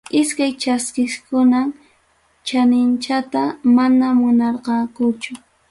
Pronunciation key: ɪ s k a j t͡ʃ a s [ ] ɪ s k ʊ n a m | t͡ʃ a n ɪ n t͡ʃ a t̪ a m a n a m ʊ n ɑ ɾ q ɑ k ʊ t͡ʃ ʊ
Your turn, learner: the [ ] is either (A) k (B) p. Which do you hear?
A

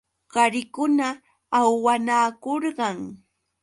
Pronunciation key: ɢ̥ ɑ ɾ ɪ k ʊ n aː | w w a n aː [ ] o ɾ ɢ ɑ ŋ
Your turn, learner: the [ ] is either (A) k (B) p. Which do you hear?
A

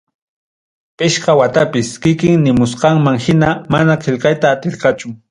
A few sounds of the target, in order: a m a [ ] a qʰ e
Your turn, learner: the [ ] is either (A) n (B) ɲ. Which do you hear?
A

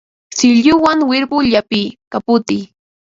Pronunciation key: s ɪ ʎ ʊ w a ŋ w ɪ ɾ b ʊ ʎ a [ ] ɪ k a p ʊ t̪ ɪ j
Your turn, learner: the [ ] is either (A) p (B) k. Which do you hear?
A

